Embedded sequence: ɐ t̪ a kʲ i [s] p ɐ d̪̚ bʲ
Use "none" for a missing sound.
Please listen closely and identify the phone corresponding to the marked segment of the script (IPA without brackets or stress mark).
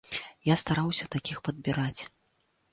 x